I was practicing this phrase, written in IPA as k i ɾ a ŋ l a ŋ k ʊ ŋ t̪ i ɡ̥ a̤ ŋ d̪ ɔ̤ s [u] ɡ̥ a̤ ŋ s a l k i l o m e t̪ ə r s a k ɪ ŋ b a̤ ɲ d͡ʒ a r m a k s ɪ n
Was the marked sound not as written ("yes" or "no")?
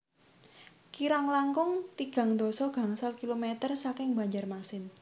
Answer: yes